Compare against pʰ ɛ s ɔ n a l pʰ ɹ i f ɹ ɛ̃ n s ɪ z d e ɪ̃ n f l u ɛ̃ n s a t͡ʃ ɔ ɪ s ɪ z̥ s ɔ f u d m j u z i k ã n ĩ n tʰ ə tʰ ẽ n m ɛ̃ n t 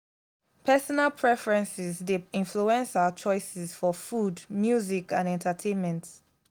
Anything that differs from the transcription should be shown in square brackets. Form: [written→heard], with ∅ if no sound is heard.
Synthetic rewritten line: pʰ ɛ s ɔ n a l pʰ ɹ [i→ɛ] f ɹ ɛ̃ n s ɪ z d e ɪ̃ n f l u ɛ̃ n s a t͡ʃ ɔ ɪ s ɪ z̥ [s→f] ɔ f u d m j u z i k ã n [ĩ→ɛ̃] n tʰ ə tʰ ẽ n m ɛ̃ n t